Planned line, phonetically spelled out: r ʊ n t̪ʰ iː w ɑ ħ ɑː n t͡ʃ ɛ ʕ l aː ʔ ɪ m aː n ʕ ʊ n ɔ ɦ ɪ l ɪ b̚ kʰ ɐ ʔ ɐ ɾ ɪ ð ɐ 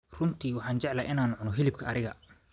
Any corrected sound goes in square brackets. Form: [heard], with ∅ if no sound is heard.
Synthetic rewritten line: r ʊ n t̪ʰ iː w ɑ ħ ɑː n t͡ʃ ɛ ʕ l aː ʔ ɪ [n] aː n ʕ ʊ n ɔ ɦ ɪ l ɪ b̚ kʰ ɐ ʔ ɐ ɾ ɪ [ɣ] ɐ